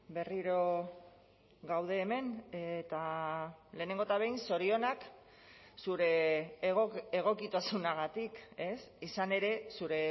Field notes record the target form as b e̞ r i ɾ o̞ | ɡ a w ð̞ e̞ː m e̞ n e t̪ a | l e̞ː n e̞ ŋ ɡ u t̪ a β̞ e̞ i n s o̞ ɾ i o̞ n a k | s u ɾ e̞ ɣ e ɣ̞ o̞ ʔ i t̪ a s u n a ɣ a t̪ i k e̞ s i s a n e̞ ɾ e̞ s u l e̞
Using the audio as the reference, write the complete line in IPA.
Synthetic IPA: b e̞ r i ɾ o̞ | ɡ a w ð̞ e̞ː m e̞ n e t̪ a | l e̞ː n e̞ ŋ ɡ o t̪ a β̞ e̞ j n s o̞ ɾ i o̞ n a k | s u ɾ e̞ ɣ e ɣ̞ o̞ k i t̪ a s u n a ɣ a t̪ i k e̞ s i s a n e̞ ɾ e̞ s u ɾ e̞